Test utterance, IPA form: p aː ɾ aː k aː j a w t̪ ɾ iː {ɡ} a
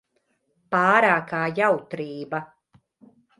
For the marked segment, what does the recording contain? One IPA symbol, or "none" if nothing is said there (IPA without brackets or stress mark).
b